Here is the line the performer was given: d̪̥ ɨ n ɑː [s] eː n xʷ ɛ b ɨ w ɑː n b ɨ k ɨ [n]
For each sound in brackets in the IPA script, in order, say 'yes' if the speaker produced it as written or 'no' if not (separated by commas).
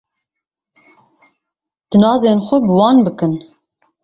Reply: no, yes